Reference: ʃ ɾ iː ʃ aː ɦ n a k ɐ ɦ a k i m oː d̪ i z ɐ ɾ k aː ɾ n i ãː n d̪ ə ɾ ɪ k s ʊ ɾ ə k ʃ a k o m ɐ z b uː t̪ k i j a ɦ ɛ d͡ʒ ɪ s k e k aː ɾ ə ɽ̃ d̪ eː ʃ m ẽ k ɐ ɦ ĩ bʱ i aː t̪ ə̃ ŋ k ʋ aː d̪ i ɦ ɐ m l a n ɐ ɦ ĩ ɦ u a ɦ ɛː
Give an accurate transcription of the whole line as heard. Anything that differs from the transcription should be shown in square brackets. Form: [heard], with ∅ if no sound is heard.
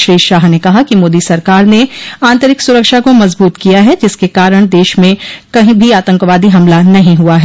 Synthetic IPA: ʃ ɾ iː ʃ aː ɦ n [e] k ɐ ɦ a k i m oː d̪ i [s] ɐ ɾ k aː ɾ n [e] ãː n [t̪] ə ɾ ɪ k s ʊ ɾ ə k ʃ a k o m ɐ z b uː t̪ k i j a ɦ ɛ d͡ʒ ɪ s k e k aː ɾ ə ɽ̃ d̪ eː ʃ m ẽ k ɐ ɦ ĩ bʱ i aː t̪ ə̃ ŋ k ʋ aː d̪ i ɦ ɐ m l a n ɐ ɦ ĩ ɦ u a ɦ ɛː